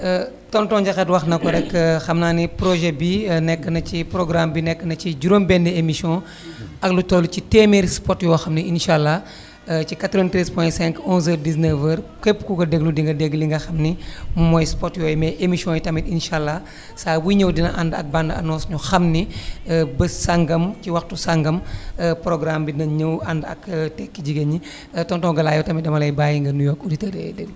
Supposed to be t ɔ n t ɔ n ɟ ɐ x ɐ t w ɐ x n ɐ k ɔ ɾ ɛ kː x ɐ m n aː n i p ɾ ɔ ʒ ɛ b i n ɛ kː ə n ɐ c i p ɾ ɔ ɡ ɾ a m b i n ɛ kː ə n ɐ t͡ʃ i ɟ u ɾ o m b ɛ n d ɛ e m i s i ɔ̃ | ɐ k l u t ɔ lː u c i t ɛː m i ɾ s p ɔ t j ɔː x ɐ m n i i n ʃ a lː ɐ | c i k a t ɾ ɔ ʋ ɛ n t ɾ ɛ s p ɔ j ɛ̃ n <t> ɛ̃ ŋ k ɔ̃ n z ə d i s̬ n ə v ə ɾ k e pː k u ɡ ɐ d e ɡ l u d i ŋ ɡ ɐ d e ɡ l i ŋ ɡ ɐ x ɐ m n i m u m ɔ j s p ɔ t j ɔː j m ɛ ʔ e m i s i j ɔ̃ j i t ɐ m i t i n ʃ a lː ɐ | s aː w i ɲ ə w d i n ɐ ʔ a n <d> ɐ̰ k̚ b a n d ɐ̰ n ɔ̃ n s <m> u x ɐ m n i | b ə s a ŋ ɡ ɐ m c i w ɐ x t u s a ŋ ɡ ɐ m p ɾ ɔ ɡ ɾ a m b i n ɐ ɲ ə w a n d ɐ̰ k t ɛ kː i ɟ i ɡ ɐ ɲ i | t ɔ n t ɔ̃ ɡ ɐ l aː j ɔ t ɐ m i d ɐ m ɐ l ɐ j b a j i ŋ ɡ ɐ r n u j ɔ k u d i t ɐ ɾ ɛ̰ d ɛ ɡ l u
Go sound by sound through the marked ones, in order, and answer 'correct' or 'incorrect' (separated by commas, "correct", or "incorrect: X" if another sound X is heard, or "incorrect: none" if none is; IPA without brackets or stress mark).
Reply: incorrect: s, correct, incorrect: ɲ